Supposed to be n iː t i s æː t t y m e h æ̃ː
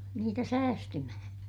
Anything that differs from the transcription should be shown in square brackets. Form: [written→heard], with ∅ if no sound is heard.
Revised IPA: n iː t [i→æ] s æː [t→s] t y m [e→æ] h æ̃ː